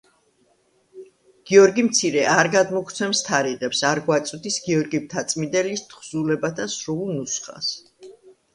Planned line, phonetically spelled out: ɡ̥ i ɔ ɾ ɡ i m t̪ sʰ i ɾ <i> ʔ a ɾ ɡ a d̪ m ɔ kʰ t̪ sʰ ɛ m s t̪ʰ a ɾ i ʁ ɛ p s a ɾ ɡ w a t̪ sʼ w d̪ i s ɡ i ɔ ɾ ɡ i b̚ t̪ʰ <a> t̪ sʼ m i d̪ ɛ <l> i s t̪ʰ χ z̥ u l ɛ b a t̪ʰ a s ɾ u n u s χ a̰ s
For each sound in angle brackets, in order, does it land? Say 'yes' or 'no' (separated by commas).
no, yes, yes